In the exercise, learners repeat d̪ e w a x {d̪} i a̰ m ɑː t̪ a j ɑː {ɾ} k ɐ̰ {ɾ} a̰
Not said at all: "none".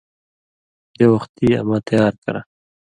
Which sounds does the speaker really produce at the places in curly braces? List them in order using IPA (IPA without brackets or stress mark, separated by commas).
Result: t̪, ɾ, ɾ